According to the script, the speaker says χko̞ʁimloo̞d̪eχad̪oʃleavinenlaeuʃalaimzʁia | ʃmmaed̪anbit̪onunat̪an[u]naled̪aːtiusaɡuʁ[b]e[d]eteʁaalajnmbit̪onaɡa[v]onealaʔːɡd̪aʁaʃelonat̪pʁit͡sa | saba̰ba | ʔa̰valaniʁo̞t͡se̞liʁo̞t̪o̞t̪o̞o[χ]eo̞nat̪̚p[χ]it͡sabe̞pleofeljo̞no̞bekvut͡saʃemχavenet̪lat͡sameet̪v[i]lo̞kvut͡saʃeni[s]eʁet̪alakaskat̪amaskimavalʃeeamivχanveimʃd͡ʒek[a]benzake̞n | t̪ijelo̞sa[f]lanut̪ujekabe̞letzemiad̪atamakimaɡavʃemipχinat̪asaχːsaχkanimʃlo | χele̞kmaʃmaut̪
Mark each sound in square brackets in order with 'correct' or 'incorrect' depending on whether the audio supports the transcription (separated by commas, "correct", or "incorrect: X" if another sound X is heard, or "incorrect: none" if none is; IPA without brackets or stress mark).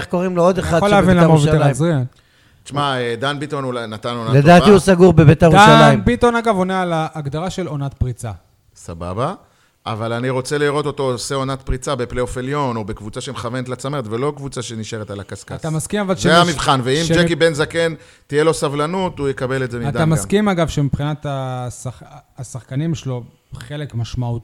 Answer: incorrect: o, correct, incorrect: b, correct, incorrect: s, incorrect: ʁ, incorrect: e, incorrect: ʃ, incorrect: i, incorrect: v